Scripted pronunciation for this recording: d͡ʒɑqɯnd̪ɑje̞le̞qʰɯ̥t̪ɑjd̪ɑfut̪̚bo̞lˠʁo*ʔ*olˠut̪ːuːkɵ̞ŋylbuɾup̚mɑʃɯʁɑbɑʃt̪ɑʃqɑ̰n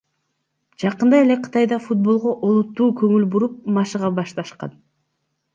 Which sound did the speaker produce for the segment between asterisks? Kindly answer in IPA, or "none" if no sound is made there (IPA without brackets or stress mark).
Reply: ʔ